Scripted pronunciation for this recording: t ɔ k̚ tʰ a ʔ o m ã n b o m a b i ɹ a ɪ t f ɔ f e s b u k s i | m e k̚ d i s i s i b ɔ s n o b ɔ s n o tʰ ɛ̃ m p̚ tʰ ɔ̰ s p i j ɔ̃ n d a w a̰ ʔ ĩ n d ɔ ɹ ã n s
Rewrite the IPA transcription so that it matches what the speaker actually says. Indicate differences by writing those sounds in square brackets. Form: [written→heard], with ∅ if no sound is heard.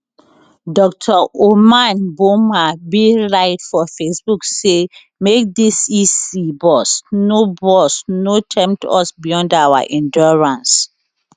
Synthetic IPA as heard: [t→d] ɔ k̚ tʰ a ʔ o m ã n b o m a b i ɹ a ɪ t f ɔ f e s b u k s [i→e] | m e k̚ d i s i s i b ɔ s n o b ɔ s n o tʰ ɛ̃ m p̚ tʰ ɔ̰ s [p→b] i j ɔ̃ n d a w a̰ ʔ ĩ n d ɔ ɹ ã n s